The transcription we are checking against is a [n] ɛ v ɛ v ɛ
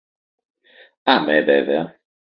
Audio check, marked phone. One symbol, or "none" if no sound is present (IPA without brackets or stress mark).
m